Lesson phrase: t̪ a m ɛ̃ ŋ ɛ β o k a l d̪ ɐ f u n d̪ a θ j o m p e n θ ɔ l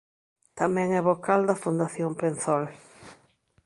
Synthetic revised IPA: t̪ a m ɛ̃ ŋ ɛ β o k a l d̪ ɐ f u n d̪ a θ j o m p e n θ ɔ l